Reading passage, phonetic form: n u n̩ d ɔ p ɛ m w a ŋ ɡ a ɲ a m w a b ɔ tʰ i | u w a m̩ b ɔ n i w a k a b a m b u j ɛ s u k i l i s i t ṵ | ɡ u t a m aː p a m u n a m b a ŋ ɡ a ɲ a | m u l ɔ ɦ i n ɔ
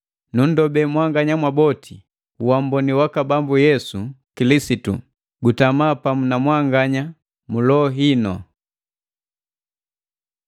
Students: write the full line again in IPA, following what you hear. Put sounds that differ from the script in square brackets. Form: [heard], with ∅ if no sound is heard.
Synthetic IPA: n u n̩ d ɔ [b] ɛ m w a ŋ ɡ a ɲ a m w a b ɔ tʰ i | u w a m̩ b ɔ n i w a k a b a m b u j ɛ s u k i l i s i t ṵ | ɡ u t a m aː p a m u n a m [w] a ŋ ɡ a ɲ a | m u l ɔ ɦ i n ɔ